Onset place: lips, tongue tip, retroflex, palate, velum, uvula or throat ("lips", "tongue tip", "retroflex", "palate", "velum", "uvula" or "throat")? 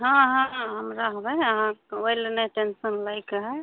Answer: throat